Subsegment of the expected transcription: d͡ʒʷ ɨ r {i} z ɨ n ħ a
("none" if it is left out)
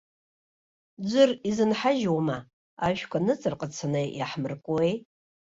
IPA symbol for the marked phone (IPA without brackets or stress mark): i